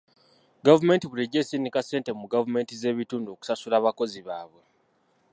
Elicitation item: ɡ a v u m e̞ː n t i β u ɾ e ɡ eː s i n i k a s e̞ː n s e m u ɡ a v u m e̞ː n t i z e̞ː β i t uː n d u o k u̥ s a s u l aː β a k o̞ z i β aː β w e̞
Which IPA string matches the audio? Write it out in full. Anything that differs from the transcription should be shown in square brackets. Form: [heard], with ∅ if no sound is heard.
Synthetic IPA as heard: ɡ a v u m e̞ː n t i β u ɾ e [ɟ] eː s i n i k a s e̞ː n [t] e m u ɡ a v u m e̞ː n t i z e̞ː β i t uː n d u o k u̥ s a s u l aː β a k o̞ z i β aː β w e̞